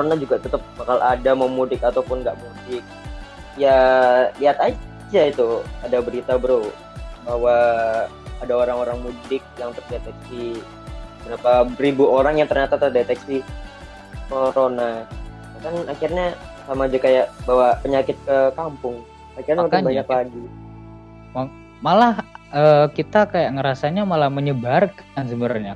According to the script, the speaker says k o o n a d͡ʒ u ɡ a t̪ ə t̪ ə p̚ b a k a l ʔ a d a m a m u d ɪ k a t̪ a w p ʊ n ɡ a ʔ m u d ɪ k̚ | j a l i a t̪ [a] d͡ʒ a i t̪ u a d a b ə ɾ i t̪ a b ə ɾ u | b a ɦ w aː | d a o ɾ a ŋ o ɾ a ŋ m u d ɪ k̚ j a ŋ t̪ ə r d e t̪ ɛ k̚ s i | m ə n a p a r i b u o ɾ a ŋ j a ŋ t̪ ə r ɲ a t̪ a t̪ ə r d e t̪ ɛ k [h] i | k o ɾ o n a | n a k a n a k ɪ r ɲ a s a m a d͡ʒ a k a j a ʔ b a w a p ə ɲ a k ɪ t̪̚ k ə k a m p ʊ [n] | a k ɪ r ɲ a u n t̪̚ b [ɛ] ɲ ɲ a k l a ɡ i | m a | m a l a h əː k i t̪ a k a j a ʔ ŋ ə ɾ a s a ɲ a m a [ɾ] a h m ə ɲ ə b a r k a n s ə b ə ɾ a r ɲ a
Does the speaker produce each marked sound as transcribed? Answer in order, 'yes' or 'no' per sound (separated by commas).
yes, no, no, no, no